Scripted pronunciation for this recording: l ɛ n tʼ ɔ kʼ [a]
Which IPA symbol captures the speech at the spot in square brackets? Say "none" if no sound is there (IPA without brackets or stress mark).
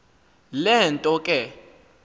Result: ɛ